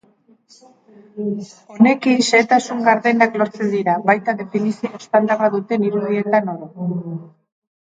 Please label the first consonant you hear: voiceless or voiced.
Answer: voiced